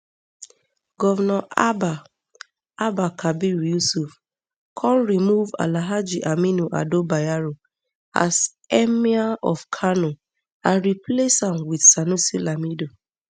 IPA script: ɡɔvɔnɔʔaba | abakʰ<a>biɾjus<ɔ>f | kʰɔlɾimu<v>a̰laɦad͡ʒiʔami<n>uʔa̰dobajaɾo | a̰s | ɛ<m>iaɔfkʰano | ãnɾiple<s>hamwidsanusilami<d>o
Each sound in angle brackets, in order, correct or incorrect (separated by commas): correct, incorrect, correct, correct, correct, correct, correct